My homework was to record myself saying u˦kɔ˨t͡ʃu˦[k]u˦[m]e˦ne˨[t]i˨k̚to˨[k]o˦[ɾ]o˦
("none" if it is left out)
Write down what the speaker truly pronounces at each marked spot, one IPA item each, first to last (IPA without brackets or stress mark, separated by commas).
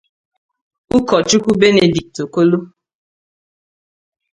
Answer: k, b, d, k, l